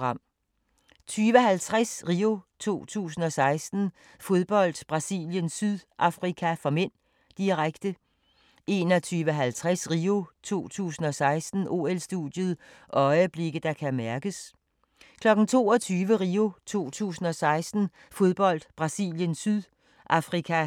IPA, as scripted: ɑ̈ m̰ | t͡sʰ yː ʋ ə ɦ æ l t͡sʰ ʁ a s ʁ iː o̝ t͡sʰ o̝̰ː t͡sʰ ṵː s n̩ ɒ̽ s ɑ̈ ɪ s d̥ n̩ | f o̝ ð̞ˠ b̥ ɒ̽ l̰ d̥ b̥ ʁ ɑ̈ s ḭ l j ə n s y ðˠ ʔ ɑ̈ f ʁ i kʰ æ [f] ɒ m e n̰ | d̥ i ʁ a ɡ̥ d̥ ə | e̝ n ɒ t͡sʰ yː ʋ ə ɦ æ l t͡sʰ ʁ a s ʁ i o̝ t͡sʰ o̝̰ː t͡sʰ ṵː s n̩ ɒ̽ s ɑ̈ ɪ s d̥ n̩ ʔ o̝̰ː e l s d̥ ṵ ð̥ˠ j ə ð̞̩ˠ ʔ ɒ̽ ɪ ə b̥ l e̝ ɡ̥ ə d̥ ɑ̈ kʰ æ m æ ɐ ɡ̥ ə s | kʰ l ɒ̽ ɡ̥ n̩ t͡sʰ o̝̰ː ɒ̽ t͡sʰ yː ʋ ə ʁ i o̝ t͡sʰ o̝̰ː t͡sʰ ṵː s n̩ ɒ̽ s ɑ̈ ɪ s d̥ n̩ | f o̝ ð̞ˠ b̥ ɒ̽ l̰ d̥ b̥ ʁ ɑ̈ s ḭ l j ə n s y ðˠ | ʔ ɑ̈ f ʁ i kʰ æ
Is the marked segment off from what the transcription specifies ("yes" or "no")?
no